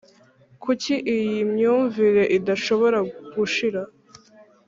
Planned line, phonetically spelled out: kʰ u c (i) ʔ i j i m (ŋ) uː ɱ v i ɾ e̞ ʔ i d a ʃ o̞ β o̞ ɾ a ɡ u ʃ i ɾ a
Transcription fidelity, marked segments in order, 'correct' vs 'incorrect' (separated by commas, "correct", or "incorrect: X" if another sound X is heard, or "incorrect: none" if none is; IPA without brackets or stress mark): correct, incorrect: ɲ